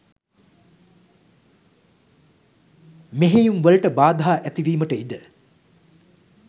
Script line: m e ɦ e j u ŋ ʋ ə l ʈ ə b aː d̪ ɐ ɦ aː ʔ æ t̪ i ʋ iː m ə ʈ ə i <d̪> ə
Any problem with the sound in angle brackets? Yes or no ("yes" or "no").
no